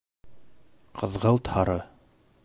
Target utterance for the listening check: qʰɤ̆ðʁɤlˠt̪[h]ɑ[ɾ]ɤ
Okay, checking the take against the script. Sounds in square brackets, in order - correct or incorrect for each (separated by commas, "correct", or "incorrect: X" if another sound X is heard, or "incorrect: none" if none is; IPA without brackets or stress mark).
correct, correct